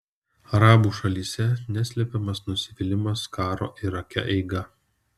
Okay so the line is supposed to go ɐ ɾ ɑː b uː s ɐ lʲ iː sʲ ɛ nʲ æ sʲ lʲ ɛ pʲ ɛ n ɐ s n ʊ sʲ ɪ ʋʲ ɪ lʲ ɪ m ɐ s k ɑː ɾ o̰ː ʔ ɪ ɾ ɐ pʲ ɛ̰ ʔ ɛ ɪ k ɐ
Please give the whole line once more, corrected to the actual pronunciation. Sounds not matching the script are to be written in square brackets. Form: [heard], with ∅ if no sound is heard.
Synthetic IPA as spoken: ɐ ɾ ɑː b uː [ʃ] ɐ lʲ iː sʲ ɛ nʲ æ sʲ lʲ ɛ pʲ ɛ [m] ɐ s n ʊ sʲ ɪ ʋʲ ɪ lʲ ɪ m ɐ s k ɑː ɾ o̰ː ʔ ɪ ɾ ɐ [kʲ] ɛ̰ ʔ ɛ ɪ [ɡ] ɐ